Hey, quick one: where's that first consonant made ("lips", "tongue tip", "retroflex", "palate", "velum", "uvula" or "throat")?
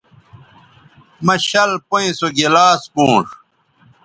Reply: lips